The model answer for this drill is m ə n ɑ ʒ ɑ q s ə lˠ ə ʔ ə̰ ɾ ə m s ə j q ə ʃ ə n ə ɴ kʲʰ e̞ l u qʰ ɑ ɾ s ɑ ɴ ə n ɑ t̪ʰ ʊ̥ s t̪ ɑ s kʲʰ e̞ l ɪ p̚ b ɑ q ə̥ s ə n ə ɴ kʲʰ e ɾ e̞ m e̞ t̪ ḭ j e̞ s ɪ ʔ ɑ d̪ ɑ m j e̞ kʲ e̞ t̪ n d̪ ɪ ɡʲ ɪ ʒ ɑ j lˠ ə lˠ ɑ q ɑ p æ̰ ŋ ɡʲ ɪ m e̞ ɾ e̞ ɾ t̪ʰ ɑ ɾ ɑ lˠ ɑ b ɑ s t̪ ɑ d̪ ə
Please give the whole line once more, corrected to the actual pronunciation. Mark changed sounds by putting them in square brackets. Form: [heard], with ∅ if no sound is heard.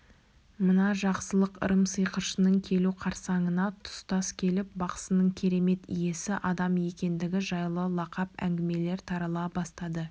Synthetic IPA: m ə n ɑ ʒ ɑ q s ə lˠ ə [q] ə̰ ɾ ə m s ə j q ə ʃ ə n ə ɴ kʲʰ e̞ l u qʰ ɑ ɾ s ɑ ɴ ə n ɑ t̪ʰ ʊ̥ s t̪ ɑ s kʲʰ e̞ l ɪ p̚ b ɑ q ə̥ s ə n ə ɴ kʲʰ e ɾ e̞ m e̞ t̪ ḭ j e̞ s ɪ ʔ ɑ d̪ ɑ m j e̞ kʲ e̞ [∅] n d̪ ɪ ɡʲ ɪ ʒ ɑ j lˠ ə lˠ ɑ q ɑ p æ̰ ŋ ɡʲ ɪ m e̞ [l] e̞ ɾ t̪ʰ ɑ ɾ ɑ lˠ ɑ b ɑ s t̪ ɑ d̪ ə